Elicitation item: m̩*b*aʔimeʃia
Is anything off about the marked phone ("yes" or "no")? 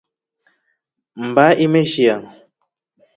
no